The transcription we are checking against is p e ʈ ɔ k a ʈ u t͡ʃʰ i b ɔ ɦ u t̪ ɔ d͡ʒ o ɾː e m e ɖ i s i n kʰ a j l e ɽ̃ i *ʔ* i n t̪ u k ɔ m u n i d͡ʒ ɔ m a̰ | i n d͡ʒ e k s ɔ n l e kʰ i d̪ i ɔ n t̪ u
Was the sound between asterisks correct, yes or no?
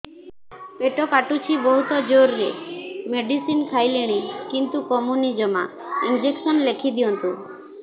no